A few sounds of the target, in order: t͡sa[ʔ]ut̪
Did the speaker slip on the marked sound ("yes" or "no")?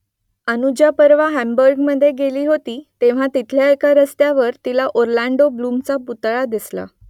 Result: yes